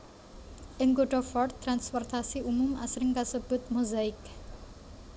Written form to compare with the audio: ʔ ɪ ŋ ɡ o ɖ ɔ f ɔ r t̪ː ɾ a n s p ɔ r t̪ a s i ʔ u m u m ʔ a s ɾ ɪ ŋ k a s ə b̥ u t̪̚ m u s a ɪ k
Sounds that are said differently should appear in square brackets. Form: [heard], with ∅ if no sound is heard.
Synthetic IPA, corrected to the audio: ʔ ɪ ŋ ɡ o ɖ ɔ f ɔ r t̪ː ɾ a n s p ɔ r t̪ a s i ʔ u m u m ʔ a s ɾ ɪ ŋ k a s ə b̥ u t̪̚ m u [z] a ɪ k

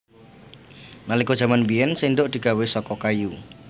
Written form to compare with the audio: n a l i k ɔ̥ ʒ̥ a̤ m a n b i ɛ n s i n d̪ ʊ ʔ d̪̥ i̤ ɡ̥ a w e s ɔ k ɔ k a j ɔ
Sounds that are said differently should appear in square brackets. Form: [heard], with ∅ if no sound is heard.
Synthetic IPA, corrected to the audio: n a l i k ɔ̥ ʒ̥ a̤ m a n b i ɛ n s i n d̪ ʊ ʔ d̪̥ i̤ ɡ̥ a w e s ɔ k ɔ k a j [u]

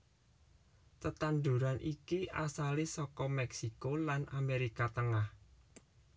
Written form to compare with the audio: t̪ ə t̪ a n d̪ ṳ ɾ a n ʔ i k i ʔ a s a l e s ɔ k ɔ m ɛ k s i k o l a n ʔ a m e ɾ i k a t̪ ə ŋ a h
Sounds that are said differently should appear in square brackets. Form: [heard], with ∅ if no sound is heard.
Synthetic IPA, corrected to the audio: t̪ ə t̪ a n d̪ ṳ ɾ a n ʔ i k i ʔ a s a l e s ɔ k ɔ m ɛ k s i k o l a n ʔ a m e ɾ i k a t̪ ə ŋ a h

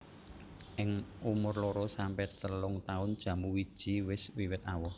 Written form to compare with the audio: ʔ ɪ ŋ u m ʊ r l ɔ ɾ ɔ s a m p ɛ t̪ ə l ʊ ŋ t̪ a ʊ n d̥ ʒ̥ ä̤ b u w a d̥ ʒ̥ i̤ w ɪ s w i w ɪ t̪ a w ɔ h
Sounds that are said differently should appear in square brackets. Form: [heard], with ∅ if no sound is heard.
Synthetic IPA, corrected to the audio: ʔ ɪ ŋ u m ʊ r l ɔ ɾ ɔ s a m p ɛ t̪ ə l ʊ ŋ t̪ a ʊ n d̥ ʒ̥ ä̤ [m] u w [i] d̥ ʒ̥ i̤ w ɪ s w i w ɪ t̪ a w ɔ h

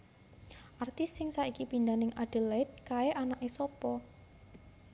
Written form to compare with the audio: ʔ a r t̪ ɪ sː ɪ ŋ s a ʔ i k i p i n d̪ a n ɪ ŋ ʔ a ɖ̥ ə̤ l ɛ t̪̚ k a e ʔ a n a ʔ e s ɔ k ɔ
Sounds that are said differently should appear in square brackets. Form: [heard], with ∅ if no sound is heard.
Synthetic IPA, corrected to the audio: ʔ a r t̪ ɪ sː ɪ ŋ s a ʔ i k i p i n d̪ a n ɪ ŋ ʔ a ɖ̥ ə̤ l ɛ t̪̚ k a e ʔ a n a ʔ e s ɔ [p] ɔ

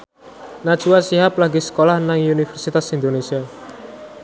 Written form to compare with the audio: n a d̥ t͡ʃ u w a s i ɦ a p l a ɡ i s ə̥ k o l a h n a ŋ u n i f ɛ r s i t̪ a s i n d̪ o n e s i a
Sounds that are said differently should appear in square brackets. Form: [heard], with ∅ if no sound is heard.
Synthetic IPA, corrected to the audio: n a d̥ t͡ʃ u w a s i ɦ a p l a ɡ i s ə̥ k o l a h n a ŋ u n i f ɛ r s i t̪ a s i n d̪ o n e s i a

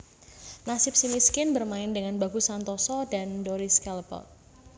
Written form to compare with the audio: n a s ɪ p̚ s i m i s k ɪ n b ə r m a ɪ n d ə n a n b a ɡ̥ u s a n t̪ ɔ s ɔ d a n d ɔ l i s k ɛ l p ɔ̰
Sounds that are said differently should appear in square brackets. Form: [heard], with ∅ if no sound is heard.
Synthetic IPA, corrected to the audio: n a s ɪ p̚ s i m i s k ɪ n b ə r m a ɪ n d ə [ŋ] a n b a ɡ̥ u s a n t̪ ɔ s ɔ d a n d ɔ [ɾ] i s k ɛ l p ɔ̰

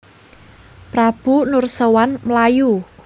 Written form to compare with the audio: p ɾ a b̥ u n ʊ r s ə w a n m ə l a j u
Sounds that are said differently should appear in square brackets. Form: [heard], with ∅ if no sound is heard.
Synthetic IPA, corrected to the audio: p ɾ a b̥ u n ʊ r s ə w a n m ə l a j u

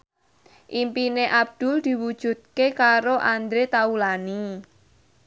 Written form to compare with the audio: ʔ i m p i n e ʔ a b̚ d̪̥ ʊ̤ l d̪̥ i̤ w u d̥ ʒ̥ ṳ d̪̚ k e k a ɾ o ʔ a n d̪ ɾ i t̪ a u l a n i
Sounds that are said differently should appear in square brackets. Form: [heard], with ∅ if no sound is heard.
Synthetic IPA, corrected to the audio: ʔ i m p i n e ʔ a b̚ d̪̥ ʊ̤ l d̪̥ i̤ w u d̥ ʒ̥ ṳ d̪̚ k e k a ɾ o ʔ a n d̪ ɾ [e] t̪ a u l a n i

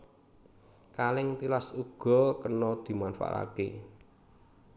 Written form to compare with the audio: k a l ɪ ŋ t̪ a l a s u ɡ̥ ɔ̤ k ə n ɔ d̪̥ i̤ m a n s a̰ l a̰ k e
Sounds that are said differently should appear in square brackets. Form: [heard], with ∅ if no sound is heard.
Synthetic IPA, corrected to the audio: k a l ɪ ŋ t̪ [i] l a s u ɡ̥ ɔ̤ k ə n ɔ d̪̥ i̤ m a n [f] a̰ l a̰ k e

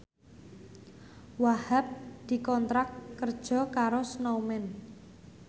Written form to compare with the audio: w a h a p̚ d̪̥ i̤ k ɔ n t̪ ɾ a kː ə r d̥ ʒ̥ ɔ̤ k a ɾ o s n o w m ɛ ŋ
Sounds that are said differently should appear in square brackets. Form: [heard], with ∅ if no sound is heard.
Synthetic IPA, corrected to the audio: w a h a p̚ d̪̥ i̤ k ɔ n t̪ ɾ a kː ə r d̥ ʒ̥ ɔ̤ k a ɾ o s n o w m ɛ [n]

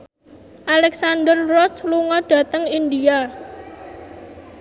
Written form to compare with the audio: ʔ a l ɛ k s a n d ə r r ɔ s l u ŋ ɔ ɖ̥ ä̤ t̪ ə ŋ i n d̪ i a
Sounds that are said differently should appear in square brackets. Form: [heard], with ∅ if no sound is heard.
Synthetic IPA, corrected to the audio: ʔ a l ɛ k s a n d ə r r ɔ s l u ŋ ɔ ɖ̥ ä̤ t̪ ə ŋ i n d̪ i a

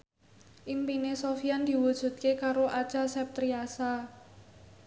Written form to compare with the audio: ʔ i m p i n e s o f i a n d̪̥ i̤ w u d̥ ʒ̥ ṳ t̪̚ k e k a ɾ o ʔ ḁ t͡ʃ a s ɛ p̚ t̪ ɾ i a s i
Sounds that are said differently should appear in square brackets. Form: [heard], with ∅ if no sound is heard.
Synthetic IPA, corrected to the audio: ʔ i m p i n e s o f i a n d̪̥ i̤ w u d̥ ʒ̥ ṳ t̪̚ k e k a ɾ o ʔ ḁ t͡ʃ a s ɛ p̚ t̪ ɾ i a s [a]

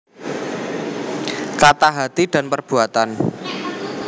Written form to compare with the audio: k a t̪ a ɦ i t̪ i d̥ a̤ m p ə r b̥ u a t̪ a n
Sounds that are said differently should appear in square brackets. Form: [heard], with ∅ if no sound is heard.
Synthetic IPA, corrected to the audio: k a t̪ a ɦ [a] t̪ i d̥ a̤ [n] p ə r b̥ u a t̪ a n

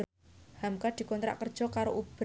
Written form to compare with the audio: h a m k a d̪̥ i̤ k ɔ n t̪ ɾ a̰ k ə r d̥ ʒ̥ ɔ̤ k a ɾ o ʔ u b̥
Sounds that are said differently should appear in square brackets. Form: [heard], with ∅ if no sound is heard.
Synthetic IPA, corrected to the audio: h a m k a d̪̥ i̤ k ɔ n t̪ ɾ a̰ k ə r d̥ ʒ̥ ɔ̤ k a ɾ o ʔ u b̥

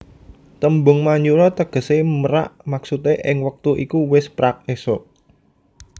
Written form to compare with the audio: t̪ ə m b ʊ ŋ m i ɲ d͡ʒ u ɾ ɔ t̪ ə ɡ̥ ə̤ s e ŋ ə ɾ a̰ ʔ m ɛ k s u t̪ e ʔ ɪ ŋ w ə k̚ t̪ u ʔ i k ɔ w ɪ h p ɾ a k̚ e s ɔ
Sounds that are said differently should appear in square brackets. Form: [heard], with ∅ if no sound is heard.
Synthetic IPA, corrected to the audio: t̪ ə m b ʊ ŋ m [a] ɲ d͡ʒ u ɾ ɔ t̪ ə ɡ̥ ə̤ s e [m] ə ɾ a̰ ʔ m [a] k s u t̪ e ʔ ɪ ŋ w ə k̚ t̪ u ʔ i k [u] w ɪ [s] p ɾ a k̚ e s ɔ

